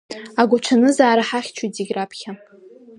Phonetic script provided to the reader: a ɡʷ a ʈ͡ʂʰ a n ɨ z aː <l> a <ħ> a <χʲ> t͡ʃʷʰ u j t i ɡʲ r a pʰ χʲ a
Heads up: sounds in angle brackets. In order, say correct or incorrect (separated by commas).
incorrect, correct, correct